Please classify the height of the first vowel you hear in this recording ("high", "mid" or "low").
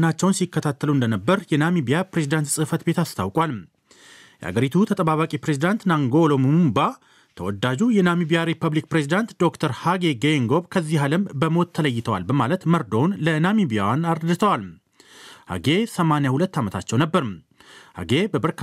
low